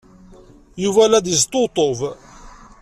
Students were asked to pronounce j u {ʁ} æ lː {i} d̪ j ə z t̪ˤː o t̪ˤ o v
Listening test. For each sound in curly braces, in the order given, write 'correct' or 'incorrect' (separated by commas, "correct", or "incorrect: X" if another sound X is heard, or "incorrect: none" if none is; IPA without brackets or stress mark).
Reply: incorrect: v, incorrect: æ